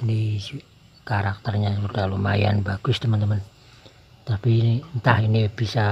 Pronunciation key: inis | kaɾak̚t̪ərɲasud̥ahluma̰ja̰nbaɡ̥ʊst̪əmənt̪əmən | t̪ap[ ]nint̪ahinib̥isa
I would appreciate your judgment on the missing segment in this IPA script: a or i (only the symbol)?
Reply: i